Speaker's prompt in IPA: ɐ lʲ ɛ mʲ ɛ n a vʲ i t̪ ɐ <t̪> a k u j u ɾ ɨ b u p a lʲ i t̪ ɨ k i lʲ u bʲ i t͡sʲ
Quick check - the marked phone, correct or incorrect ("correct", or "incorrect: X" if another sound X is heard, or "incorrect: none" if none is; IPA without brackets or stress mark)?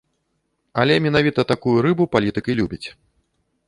correct